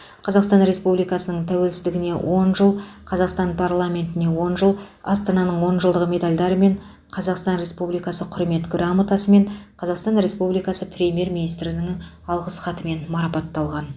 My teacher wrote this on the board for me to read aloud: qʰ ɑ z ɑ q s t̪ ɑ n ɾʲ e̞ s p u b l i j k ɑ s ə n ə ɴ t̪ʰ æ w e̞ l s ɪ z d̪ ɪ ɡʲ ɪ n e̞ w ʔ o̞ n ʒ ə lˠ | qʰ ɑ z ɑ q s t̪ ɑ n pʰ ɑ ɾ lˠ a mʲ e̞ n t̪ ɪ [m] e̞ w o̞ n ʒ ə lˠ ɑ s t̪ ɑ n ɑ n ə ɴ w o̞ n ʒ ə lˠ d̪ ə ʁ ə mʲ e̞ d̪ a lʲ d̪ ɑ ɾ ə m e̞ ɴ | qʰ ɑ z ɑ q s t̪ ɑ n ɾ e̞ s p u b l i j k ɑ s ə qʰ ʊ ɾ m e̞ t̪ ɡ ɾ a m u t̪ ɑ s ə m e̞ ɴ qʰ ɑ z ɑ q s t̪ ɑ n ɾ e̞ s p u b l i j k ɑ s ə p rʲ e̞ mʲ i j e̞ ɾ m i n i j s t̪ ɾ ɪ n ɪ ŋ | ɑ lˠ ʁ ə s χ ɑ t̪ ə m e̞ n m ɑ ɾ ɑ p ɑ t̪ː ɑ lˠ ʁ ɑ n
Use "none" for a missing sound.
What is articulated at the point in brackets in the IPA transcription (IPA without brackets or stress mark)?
n